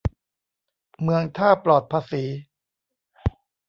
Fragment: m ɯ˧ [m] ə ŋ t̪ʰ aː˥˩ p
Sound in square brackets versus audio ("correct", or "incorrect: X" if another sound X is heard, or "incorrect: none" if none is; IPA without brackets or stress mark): incorrect: none